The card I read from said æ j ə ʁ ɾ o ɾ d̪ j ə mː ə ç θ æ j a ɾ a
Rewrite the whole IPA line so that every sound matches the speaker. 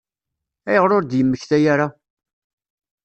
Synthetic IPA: æ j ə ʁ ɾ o ɾ d̪ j ə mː ə ç θ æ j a ɾ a